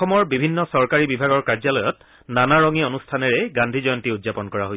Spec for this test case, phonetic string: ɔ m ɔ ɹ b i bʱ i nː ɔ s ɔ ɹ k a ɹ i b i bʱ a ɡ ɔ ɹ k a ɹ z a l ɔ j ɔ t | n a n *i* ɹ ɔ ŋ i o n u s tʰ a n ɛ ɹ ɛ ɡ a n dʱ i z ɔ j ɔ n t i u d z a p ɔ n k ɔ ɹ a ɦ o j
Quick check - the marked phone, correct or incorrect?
incorrect